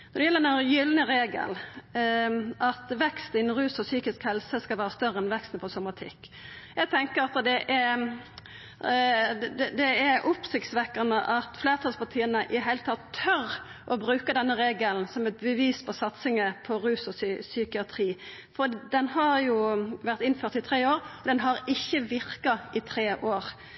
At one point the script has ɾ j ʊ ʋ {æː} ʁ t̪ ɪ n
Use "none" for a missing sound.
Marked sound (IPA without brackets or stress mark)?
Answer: æ